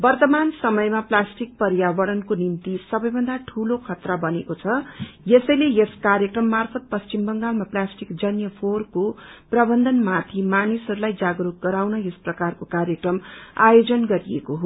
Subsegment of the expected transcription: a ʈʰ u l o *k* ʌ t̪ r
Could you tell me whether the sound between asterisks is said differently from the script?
yes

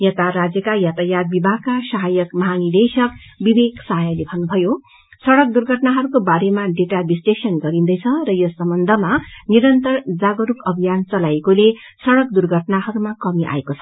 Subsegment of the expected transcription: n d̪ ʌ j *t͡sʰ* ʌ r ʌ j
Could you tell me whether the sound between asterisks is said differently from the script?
no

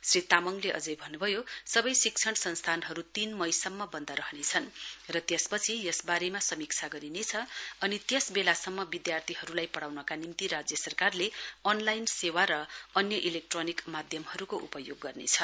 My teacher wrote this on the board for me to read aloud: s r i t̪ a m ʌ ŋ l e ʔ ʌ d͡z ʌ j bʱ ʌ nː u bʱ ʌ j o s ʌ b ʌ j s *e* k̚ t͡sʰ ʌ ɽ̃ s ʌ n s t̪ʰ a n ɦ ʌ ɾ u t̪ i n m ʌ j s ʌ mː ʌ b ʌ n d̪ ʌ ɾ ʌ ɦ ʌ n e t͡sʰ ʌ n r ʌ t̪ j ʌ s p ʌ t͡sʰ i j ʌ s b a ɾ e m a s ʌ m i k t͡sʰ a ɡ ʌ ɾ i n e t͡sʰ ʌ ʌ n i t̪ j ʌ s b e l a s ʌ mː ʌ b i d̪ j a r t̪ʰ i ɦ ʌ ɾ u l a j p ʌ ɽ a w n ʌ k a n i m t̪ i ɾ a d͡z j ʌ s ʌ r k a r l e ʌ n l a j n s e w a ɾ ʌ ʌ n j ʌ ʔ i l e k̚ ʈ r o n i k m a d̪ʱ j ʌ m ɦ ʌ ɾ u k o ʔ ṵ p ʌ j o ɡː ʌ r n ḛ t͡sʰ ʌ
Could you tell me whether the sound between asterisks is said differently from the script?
yes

